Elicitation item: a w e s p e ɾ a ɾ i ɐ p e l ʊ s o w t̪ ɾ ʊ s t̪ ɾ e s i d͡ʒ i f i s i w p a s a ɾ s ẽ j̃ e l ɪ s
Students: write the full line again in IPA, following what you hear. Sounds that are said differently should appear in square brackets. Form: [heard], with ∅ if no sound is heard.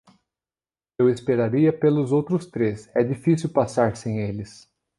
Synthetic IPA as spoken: [e] w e s p e ɾ a ɾ i ɐ p e l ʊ [z] o w t̪ ɾ ʊ s t̪ ɾ e s [ɛ] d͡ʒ i f i s i w p a s a ɾ s ẽ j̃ e l ɪ s